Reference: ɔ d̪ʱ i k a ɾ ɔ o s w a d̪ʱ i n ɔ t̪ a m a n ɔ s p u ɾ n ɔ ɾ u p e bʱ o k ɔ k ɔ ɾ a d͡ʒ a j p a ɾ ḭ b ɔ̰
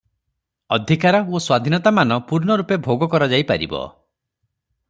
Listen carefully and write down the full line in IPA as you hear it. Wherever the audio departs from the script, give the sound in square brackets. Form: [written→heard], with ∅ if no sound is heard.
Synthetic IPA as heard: ɔ d̪ʱ i k a ɾ ɔ o s w a d̪ʱ i n ɔ t̪ a m a n ɔ [s→∅] p u ɾ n ɔ ɾ u p e bʱ o [k→ɡ] ɔ k ɔ ɾ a d͡ʒ a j p a ɾ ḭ b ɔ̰